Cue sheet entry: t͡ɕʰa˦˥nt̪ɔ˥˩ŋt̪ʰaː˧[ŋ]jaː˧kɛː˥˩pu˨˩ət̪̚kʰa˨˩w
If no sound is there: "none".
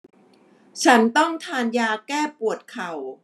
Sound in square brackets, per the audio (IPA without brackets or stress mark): n